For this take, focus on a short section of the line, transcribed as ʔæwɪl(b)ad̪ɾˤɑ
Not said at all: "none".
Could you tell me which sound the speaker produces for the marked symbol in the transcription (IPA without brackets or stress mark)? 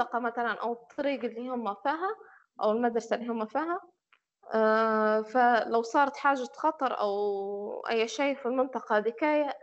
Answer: m